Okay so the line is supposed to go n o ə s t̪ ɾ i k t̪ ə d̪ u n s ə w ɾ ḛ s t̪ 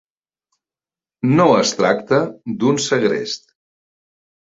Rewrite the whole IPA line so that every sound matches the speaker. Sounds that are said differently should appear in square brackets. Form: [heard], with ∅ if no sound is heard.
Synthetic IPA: n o ə s t̪ ɾ [a] k t̪ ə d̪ u n s ə [ɣ] ɾ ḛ s t̪